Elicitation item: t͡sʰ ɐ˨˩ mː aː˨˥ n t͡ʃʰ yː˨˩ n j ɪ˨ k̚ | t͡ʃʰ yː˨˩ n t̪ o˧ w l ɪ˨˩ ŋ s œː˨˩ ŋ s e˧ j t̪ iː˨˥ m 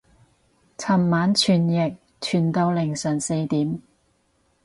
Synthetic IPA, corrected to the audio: t͡sʰ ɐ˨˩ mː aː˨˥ n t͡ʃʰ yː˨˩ n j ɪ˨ k̚ | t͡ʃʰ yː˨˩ n t̪ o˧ w l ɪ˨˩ ŋ s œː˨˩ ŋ s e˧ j t̪ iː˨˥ m